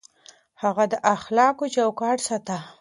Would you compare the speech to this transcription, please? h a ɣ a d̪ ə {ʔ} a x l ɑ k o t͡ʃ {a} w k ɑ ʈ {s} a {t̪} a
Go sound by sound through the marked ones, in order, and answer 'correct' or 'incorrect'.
correct, correct, correct, correct

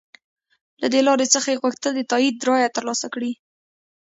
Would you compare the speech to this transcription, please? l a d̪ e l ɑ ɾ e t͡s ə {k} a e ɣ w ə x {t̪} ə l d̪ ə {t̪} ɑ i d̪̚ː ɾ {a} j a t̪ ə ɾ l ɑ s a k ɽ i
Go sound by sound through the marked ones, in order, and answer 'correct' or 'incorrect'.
incorrect, correct, correct, incorrect

